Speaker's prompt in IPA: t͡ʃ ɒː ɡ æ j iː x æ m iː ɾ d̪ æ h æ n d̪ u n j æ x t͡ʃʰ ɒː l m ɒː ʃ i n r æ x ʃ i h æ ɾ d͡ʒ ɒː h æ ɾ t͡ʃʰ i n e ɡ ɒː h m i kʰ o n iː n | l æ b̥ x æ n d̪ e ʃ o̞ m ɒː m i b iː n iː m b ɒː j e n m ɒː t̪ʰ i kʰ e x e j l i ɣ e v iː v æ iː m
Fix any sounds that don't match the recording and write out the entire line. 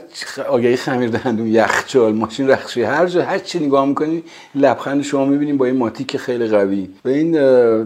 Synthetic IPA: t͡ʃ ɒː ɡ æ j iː x æ m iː ɾ d̪ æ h æ n d̪ u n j æ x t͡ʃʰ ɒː l m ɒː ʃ i n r æ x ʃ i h æ ɾ d͡ʒ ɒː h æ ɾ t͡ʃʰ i n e ɡ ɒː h m i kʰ o n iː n | l æ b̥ x æ n d̪ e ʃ o̞ m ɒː m i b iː n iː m b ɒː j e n m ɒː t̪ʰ i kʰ e x e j l i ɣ æ v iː v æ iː n